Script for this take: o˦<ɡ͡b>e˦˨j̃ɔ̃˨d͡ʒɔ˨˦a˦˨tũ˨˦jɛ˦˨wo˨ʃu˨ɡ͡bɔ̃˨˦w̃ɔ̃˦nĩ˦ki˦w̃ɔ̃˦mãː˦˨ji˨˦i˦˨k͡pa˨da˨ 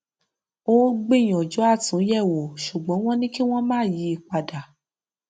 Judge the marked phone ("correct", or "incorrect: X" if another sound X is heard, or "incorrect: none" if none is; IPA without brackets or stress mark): correct